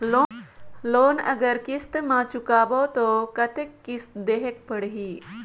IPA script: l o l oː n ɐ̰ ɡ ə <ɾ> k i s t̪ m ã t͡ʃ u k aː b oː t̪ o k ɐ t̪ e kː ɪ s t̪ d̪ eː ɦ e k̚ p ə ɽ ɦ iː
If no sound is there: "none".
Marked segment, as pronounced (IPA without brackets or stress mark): ɾ